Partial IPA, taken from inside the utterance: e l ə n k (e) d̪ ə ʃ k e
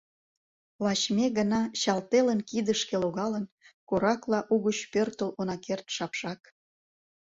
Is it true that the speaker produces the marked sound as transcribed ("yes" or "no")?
no